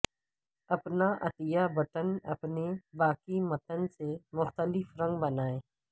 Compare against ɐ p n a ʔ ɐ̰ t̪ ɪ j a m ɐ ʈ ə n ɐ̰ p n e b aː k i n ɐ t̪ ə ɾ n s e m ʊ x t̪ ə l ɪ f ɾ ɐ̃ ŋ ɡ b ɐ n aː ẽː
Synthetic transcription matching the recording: ɐ p n a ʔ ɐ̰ t̪ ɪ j a b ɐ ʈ ə n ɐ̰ p n e b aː k i m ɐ t̪ ə n s e m ʊ x t̪ ə l ɪ f ɾ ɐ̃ ŋ ɡ b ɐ n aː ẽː